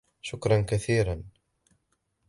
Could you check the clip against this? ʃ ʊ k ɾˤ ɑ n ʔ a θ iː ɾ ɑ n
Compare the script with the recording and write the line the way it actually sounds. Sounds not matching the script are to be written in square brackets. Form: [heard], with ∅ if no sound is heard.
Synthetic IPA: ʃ ʊ k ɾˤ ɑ n [k] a θ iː ɾ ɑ n